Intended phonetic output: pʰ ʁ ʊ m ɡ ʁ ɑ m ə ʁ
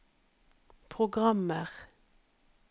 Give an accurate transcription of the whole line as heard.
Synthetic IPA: pʰ ʁ ʊ ɡ ʁ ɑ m ə ʁ